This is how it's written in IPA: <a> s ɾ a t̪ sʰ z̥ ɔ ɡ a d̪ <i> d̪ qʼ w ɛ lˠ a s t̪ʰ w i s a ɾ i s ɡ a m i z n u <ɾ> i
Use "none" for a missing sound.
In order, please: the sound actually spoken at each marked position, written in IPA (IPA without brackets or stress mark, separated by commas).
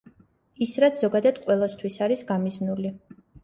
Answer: i, a, l